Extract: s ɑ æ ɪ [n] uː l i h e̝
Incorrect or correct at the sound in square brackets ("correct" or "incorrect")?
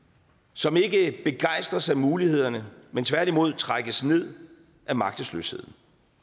incorrect